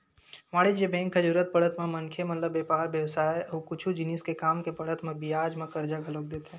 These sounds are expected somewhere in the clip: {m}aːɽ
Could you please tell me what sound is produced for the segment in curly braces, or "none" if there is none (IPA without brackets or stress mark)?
m